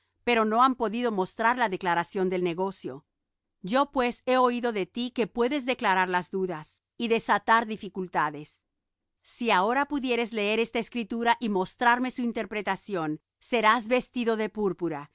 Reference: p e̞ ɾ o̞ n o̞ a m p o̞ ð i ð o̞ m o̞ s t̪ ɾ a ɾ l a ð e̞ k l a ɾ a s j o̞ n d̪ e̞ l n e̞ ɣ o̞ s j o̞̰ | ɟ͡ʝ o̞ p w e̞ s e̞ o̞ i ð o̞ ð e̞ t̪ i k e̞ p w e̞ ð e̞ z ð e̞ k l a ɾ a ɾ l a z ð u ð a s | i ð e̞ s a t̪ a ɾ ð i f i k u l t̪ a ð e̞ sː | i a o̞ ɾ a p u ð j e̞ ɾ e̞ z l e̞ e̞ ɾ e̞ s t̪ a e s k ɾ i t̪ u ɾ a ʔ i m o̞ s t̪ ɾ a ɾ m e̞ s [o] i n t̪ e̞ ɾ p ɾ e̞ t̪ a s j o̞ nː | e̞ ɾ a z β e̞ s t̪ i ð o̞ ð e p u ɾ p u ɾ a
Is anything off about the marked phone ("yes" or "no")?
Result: yes